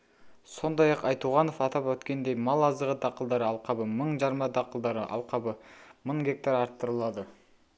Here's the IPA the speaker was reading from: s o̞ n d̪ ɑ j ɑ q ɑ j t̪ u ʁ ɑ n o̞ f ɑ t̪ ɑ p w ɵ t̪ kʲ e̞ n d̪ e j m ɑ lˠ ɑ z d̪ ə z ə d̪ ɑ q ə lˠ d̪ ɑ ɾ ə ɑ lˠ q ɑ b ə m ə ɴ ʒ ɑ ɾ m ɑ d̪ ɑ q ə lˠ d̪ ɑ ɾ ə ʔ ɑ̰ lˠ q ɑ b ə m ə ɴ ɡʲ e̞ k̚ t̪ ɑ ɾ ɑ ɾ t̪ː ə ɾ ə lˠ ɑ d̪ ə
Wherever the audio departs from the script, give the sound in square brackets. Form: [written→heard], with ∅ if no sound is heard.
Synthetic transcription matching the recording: s o̞ n d̪ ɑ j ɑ q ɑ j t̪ u ʁ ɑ n o̞ f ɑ t̪ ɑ p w ɵ t̪ kʲ e̞ n d̪ e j m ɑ lˠ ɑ z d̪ ə [z→ʁ] ə d̪ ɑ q ə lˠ d̪ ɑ ɾ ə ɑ lˠ q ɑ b ə m ə ɴ ʒ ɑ ɾ m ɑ d̪ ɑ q ə lˠ d̪ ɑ ɾ ə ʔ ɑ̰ lˠ q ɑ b ə m ə ɴ ɡʲ e̞ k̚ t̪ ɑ ɾ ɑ ɾ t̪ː ə ɾ ə lˠ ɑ d̪ ə